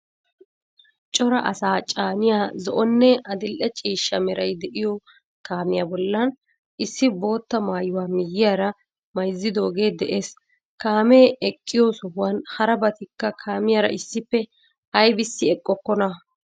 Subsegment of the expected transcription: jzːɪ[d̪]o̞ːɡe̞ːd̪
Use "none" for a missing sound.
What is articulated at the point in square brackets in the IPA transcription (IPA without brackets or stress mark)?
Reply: d̪